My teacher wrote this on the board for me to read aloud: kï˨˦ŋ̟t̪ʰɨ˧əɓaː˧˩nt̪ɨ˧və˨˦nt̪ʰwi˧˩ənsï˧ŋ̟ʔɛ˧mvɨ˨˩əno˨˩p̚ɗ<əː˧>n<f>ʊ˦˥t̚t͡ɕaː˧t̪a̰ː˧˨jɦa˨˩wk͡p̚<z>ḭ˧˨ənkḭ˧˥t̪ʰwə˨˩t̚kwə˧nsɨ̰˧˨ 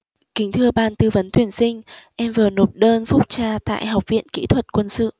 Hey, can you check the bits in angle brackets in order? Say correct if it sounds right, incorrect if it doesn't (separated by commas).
correct, correct, incorrect